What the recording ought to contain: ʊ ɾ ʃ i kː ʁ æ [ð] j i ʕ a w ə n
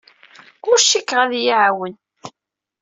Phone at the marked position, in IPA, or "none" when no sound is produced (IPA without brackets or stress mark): ð